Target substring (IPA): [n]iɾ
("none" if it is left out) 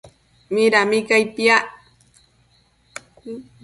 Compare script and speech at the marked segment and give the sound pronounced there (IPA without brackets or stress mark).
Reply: m